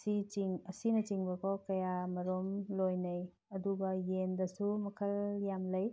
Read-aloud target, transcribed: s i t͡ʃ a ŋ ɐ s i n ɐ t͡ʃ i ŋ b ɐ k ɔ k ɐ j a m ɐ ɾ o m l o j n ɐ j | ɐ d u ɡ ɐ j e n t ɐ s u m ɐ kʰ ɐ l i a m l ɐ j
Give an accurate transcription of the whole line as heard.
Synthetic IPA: s i t͡ʃ i ŋ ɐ s i n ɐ t͡ʃ i ŋ b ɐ k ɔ k ɐ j a m ɐ ɾ o m l o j n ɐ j | ɐ d u ɡ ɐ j e n d ɐ s u m ɐ kʰ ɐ l j a m l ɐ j